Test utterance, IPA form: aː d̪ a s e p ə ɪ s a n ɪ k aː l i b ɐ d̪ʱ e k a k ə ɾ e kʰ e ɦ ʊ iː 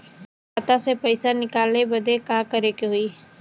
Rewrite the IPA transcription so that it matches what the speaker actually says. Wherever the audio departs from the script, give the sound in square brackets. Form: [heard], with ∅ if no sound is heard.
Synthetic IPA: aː [t̪] a s e p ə ɪ s a n ɪ k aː l [e] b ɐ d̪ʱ e k a k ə ɾ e [k] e ɦ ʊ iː